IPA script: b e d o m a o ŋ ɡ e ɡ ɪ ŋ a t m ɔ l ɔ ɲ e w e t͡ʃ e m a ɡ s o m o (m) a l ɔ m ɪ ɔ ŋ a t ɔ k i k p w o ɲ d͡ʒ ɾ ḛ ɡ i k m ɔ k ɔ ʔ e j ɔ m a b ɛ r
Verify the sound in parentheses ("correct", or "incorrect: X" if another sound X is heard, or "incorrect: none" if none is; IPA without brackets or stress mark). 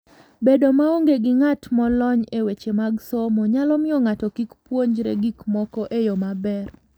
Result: incorrect: ɲ